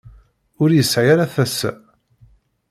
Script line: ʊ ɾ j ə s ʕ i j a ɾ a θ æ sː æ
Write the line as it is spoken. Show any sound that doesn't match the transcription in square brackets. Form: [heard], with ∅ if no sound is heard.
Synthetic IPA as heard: ʊ ɾ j ə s ʕ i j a ɾ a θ æ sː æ